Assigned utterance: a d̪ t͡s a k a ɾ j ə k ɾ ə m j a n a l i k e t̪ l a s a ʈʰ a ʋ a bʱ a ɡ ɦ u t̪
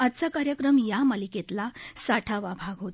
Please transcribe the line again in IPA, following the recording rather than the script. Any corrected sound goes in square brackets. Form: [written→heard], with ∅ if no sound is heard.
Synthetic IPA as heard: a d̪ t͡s a k a ɾ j ə k ɾ ə m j a [n→m] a l i k e t̪ l a s a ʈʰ a ʋ a bʱ a ɡ ɦ [u→o] t̪